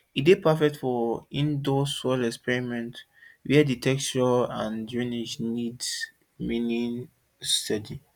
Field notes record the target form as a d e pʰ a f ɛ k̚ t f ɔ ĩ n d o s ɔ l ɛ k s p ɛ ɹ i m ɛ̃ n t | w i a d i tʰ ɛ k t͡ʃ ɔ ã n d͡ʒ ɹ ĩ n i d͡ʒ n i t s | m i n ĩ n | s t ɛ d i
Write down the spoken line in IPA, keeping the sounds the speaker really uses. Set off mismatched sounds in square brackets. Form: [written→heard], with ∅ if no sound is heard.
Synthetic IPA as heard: [a→i] d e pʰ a f ɛ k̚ t f ɔ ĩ n d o s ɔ l ɛ k s p ɛ ɹ i m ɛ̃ n t | w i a d i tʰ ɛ k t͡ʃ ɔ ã n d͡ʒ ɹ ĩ n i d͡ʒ n i [t→d] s | m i n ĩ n | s t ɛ d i